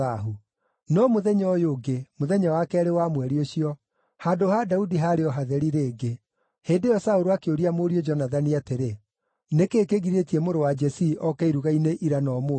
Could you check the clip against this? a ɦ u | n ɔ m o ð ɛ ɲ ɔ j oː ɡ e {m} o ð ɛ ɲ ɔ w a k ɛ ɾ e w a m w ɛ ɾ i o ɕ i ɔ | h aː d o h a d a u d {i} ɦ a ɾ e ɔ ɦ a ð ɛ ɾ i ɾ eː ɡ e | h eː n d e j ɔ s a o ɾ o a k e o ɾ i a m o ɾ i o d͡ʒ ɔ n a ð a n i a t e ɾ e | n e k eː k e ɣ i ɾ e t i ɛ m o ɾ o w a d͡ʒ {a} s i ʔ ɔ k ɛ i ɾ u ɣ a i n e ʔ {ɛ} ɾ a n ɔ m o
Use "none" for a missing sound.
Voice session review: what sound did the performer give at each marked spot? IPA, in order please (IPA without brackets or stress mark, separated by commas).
m, i, ɛ, i